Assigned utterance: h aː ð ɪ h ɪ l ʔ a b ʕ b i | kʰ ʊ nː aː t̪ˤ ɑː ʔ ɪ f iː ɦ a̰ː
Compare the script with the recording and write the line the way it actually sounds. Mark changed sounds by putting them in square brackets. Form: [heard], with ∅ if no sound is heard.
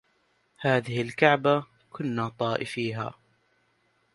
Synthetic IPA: h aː ð ɪ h ɪ l [k] a [∅] ʕ b [a] | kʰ ʊ nː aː t̪ˤ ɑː ʔ ɪ f iː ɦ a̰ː